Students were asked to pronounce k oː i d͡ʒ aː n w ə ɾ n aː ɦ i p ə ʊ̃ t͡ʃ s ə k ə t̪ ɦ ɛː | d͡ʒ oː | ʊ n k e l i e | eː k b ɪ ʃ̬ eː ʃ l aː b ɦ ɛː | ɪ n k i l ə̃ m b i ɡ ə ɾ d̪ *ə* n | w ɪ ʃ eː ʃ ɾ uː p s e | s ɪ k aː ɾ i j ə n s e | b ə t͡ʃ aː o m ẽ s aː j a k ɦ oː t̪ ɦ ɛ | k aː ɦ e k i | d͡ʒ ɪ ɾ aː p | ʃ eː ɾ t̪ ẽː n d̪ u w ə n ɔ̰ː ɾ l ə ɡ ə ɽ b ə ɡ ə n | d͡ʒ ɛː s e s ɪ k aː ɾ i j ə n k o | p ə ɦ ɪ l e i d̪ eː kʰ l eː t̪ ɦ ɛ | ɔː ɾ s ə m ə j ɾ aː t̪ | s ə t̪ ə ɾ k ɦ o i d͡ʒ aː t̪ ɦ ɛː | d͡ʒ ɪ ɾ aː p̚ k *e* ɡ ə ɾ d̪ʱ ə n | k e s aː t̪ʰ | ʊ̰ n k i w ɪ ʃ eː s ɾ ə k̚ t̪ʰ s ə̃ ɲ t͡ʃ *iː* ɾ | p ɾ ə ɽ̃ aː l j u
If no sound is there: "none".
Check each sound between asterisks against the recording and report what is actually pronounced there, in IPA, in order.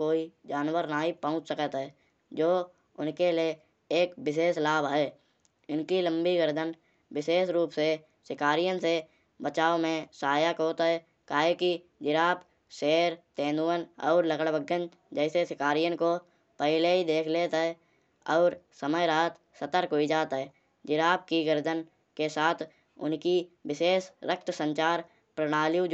ə, i, aː

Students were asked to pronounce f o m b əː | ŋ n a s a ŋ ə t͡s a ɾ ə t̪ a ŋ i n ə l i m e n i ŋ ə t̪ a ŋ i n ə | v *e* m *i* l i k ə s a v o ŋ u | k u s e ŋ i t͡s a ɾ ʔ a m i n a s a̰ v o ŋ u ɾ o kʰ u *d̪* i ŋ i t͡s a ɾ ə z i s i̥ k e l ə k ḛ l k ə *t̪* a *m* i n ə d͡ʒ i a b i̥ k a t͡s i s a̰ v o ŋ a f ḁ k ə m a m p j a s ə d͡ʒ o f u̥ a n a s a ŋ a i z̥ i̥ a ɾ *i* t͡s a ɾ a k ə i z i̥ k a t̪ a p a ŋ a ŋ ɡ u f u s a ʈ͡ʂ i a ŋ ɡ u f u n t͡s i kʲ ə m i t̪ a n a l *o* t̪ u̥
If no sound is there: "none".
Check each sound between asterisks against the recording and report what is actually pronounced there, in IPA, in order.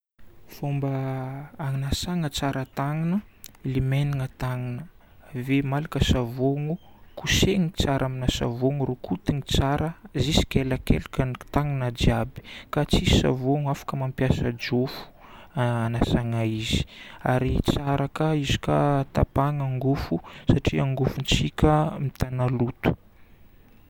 e, a, t̪, t̪, ŋ, i, u

